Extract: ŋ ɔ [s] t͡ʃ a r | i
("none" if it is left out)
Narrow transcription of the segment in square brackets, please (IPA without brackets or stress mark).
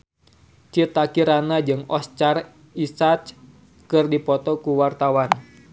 s